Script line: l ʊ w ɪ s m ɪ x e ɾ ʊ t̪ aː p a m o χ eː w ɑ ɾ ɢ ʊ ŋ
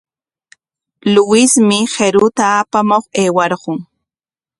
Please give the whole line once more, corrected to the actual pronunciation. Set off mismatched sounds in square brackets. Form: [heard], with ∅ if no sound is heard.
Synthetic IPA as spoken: l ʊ w ɪ s m ɪ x e ɾ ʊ t̪ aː p a m o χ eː w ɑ ɾ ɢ ʊ ŋ